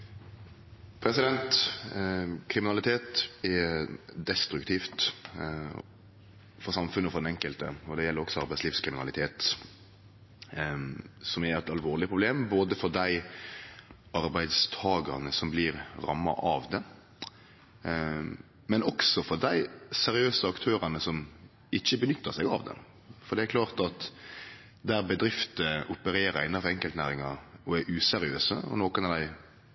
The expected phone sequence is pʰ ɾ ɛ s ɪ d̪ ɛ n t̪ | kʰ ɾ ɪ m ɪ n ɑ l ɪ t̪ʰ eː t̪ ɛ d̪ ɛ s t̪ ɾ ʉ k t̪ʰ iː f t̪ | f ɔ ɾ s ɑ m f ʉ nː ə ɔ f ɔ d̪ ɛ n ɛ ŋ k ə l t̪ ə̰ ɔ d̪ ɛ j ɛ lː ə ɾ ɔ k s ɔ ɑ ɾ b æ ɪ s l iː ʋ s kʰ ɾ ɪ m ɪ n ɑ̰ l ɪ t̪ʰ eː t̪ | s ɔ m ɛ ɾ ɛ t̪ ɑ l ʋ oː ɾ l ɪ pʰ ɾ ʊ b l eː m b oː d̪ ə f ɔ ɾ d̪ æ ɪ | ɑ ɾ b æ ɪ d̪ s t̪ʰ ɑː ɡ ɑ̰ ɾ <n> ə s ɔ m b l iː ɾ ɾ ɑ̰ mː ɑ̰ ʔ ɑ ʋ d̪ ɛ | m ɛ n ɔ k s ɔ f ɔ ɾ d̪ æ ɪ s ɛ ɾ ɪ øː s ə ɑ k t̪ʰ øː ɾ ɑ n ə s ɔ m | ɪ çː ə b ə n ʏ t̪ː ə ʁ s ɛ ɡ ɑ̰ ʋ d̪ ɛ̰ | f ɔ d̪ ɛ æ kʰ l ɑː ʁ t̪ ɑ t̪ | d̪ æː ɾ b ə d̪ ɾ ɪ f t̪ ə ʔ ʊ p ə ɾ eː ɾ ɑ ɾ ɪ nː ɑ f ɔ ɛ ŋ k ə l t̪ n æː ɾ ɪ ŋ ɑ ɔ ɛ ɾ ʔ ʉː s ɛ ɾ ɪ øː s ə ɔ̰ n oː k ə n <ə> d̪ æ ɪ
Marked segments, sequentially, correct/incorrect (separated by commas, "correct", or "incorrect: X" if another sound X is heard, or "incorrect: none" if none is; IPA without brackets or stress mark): correct, incorrect: ɑ